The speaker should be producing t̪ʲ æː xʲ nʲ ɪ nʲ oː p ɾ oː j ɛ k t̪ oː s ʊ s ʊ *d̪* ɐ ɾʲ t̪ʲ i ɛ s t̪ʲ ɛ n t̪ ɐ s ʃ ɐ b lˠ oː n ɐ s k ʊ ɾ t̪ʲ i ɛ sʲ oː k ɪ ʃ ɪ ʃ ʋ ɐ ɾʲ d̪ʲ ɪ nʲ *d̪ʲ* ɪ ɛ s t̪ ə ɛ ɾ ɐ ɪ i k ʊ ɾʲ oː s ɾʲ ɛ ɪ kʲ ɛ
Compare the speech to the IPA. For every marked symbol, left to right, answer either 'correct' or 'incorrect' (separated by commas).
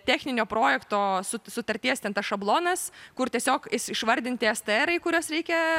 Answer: incorrect, incorrect